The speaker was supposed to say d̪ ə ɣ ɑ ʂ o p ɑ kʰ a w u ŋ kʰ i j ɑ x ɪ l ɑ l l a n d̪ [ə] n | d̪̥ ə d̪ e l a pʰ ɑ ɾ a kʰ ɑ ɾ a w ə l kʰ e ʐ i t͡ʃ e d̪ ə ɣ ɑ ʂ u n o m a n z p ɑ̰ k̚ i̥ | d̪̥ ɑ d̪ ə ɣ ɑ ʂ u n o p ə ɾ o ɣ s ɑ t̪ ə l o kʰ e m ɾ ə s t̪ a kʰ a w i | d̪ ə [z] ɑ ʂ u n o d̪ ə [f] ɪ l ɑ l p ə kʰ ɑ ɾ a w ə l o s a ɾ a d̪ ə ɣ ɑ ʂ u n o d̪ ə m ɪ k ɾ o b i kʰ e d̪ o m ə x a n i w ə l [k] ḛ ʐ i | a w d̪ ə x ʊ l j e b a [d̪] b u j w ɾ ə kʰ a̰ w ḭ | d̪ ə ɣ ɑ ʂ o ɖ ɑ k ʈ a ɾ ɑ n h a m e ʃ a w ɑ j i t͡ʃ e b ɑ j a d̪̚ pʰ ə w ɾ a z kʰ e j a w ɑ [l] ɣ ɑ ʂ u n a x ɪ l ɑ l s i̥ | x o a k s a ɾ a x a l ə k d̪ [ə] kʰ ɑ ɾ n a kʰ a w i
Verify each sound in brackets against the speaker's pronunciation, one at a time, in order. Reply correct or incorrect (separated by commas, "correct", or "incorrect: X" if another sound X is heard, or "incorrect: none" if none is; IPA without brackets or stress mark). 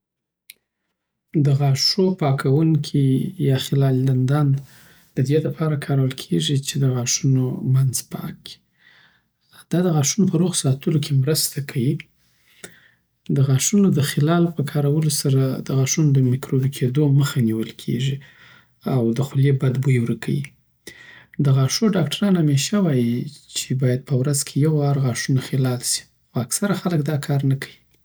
incorrect: ɑ, incorrect: ɣ, incorrect: x, incorrect: kʰ, correct, incorrect: ɾ, incorrect: ɑ